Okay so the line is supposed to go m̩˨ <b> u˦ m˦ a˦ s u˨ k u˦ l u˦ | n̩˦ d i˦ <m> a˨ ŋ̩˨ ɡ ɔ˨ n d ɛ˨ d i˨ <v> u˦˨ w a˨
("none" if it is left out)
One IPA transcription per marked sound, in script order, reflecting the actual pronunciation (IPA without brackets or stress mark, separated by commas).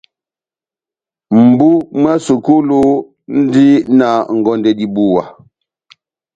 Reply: b, n, b